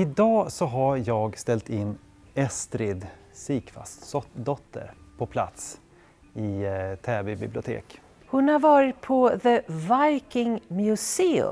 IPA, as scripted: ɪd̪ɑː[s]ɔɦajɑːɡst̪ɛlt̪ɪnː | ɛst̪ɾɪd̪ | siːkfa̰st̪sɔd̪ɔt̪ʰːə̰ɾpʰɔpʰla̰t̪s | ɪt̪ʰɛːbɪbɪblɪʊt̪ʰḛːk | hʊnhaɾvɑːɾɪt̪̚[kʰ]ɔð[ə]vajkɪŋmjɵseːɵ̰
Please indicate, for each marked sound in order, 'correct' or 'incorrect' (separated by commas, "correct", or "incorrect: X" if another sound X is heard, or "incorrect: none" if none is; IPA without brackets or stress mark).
correct, incorrect: pʰ, correct